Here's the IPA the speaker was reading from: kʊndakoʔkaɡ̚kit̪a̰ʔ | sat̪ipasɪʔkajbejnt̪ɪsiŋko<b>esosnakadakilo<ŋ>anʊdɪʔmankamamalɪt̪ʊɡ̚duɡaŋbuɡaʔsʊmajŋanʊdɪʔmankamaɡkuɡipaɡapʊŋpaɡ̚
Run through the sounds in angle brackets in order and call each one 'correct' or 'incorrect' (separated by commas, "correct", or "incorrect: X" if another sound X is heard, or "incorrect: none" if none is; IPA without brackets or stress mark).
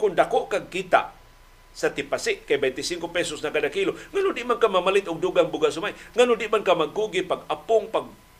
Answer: incorrect: p, correct